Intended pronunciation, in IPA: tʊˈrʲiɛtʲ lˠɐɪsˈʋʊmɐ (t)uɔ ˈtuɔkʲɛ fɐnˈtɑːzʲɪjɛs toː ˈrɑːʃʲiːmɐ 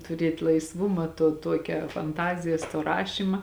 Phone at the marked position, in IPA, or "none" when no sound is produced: t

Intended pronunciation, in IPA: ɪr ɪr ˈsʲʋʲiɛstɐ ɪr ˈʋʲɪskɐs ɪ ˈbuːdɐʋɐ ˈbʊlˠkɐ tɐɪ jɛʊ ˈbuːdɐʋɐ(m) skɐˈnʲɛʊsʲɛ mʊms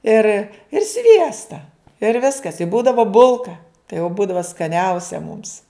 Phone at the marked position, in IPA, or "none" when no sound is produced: none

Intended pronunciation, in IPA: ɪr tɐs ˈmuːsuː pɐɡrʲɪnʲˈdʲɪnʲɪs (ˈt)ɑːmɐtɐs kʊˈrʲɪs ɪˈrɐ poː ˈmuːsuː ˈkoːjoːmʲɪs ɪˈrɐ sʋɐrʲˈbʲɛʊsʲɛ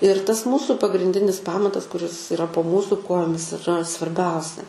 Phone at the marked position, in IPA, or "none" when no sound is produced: p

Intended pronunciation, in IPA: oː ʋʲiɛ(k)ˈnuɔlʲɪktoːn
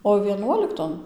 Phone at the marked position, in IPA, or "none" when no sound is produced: none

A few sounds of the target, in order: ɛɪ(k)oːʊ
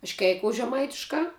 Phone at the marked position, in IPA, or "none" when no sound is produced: k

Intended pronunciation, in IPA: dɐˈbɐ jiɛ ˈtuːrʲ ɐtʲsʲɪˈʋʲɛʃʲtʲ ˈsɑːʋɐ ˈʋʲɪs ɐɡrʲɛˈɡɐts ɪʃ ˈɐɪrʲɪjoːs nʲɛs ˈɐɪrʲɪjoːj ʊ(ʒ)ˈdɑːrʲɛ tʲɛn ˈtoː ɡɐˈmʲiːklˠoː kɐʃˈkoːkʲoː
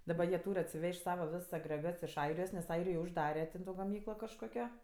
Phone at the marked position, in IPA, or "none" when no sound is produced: ʒ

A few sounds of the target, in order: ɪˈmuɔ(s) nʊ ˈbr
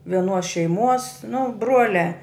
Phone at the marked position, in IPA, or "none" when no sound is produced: s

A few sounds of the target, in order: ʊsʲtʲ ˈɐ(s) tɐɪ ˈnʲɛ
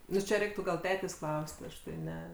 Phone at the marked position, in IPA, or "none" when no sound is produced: ʃ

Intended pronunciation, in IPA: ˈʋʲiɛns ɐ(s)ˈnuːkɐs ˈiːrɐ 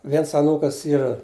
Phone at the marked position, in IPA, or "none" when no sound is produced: none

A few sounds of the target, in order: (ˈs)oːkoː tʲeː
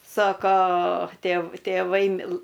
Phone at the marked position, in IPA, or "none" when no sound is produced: s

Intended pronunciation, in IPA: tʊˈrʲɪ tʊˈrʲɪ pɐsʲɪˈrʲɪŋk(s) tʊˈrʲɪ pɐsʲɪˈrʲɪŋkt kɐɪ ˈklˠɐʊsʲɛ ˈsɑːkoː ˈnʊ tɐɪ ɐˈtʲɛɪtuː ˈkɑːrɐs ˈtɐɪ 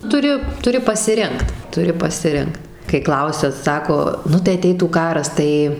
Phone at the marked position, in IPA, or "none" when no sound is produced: t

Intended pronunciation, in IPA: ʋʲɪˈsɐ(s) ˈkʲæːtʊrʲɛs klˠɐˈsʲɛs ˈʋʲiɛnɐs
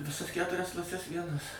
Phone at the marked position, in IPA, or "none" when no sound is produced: s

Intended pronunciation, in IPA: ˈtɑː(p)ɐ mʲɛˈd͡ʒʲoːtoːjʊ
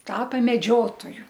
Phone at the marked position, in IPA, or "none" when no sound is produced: p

